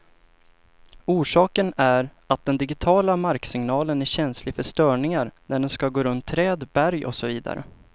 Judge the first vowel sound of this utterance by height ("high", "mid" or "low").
high